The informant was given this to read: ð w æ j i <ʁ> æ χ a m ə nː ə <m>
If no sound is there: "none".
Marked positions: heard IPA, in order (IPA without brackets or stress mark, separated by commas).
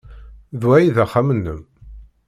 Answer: ð, m